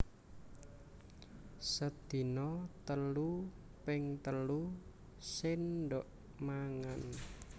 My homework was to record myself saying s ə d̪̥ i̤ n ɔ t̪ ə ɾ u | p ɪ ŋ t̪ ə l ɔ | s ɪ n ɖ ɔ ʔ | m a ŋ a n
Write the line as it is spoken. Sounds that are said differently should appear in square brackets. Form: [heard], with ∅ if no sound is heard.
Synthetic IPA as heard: s ə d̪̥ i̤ n ɔ t̪ ə [l] u | p ɪ ŋ t̪ ə l [u] | s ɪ n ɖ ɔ ʔ | m a ŋ a n